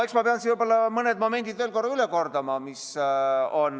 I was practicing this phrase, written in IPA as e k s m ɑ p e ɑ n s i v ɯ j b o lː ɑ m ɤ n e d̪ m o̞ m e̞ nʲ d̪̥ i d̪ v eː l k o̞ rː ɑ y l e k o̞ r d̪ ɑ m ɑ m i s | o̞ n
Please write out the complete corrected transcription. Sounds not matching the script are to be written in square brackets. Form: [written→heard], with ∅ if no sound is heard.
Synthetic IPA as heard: e k s m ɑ p e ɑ n s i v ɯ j b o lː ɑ m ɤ n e d̪ m o̞ m e̞ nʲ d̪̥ i d̪ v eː l k o̞ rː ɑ y l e k o̞ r d̪ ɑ m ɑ m i s | o̞ n